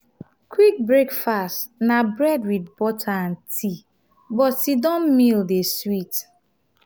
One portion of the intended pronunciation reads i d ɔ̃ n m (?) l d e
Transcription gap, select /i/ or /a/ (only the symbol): i